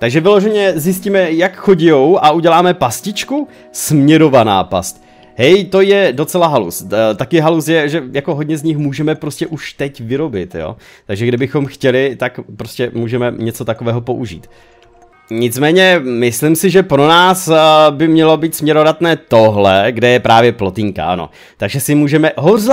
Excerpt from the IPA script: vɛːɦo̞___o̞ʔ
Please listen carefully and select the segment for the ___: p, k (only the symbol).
p